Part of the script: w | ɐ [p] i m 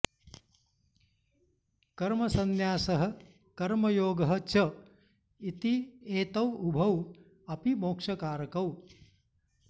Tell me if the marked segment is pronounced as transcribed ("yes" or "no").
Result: yes